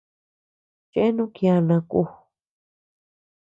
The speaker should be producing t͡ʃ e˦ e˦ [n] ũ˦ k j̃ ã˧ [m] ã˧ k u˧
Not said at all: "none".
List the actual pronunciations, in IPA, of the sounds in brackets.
n, n

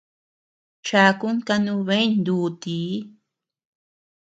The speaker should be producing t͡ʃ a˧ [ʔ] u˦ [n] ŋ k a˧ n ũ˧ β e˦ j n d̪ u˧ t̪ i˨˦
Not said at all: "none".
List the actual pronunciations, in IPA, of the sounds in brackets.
k, none

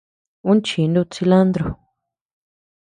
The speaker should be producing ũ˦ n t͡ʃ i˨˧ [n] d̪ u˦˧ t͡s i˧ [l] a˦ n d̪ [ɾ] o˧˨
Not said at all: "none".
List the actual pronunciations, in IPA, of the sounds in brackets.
n, l, ɾ

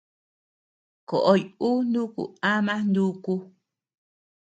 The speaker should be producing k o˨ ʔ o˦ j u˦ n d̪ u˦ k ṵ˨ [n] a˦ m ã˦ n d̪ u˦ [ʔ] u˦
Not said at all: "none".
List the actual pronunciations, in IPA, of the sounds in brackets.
none, k

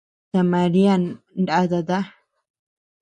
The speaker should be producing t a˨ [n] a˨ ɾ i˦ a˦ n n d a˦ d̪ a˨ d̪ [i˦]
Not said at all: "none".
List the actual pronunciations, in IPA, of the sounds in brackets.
m, a˦

